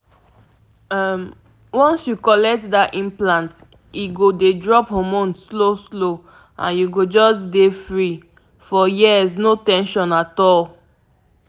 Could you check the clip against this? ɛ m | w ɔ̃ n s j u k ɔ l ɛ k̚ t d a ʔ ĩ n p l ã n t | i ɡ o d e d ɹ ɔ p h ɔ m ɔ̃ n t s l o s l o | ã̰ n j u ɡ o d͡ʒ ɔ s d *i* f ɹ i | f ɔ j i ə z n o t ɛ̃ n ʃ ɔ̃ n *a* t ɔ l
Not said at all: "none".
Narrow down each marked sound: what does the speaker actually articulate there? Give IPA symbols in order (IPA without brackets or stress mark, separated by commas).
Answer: e, a